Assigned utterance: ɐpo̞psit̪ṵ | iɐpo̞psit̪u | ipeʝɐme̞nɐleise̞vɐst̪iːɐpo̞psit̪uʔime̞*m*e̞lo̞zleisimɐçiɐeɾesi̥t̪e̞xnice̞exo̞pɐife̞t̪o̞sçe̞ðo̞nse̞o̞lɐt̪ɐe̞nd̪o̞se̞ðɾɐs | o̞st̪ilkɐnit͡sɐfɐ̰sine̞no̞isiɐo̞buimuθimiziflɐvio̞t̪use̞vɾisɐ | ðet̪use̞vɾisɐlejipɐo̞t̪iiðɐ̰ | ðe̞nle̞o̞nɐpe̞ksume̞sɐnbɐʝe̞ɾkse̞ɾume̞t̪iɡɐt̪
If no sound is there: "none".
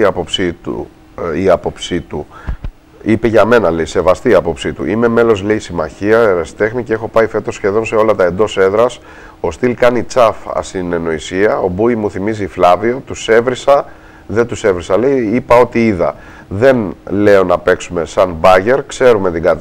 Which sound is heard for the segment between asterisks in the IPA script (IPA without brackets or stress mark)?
m